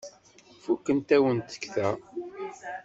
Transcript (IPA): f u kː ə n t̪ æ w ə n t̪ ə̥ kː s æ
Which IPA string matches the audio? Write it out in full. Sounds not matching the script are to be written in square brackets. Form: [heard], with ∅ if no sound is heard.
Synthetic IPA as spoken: f u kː ə n t̪ æ w ə n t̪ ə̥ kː [θ] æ